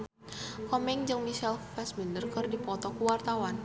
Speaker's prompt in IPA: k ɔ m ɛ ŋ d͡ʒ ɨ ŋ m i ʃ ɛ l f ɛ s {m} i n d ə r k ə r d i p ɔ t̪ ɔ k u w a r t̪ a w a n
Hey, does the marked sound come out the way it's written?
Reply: yes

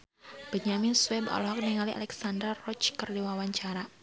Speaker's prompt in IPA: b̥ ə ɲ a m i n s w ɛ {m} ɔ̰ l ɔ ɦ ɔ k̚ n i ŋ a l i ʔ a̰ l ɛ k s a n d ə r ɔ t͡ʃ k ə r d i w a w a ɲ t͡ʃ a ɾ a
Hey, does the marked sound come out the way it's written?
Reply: no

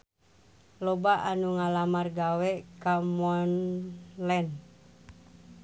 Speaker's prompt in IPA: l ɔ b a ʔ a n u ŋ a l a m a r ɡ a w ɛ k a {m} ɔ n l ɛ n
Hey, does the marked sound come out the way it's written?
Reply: yes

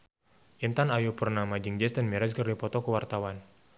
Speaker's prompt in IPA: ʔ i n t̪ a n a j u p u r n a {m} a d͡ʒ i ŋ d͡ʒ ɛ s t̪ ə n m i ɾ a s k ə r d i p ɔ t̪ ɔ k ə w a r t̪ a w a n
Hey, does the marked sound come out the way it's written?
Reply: yes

